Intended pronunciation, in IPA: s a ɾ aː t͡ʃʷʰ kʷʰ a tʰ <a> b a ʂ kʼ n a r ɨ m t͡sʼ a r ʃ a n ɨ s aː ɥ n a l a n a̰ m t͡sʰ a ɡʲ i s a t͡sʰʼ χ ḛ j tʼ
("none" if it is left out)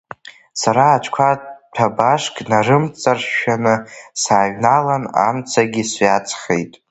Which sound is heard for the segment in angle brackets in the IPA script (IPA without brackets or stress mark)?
a